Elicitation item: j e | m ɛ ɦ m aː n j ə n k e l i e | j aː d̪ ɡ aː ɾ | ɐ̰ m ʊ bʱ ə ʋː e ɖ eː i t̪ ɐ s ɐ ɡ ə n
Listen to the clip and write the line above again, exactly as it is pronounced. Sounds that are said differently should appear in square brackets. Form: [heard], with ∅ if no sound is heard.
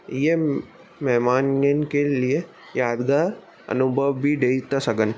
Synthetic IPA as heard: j e | m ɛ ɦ m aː n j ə n k e l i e | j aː d̪ ɡ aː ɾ | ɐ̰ [n] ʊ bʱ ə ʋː [i] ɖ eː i t̪ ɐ s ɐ ɡ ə n